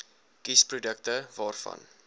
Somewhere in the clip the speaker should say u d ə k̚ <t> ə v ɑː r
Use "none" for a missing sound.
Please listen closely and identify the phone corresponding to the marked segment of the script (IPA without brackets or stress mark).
t